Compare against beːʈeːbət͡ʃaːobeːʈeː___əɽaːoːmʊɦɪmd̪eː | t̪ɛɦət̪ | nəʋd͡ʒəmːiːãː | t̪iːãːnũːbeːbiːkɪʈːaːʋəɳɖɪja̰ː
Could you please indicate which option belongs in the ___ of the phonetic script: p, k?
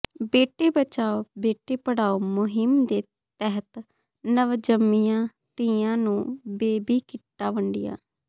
p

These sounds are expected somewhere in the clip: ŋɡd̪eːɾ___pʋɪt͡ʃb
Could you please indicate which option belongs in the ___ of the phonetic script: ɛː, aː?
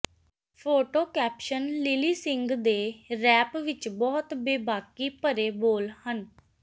ɛː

